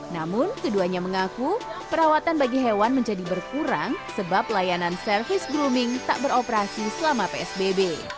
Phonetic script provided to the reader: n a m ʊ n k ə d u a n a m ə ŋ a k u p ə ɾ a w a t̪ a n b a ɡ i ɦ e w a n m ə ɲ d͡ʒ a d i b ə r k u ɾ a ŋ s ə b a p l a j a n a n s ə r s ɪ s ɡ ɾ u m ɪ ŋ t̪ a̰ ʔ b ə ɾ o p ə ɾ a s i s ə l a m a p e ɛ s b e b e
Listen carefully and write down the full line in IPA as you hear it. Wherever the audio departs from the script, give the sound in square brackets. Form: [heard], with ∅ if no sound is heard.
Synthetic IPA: n a m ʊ n k ə d u a [ɲ] a m ə ŋ a k u p ə ɾ a w a t̪ a n b a ɡ i ɦ e w a n m ə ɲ d͡ʒ a d i b ə r k u ɾ a ŋ s ə b a p l a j a n a n s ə r [f] ɪ s ɡ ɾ u m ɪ ŋ t̪ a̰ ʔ b ə ɾ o p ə ɾ a s i s ə l a m a p e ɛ s b e b e